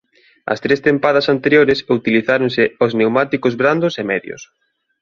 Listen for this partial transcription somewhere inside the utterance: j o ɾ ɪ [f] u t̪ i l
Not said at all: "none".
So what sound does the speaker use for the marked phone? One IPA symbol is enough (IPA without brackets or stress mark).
s